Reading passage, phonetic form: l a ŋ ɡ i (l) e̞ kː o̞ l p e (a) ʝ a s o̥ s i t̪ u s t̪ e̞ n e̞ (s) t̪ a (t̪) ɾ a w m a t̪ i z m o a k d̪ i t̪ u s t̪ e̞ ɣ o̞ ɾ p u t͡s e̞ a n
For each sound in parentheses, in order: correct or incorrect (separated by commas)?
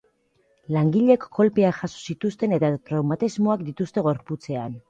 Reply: incorrect, correct, incorrect, correct